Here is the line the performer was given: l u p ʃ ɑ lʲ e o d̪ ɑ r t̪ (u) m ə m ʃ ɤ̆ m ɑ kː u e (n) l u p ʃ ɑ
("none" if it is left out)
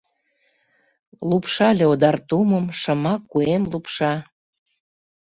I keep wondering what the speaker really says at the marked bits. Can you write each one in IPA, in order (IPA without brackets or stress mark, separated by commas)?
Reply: u, m